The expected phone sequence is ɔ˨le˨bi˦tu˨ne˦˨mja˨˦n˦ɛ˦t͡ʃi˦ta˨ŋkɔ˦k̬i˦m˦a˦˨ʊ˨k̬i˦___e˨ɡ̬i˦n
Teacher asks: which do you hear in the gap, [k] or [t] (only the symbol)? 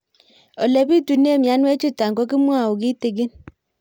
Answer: t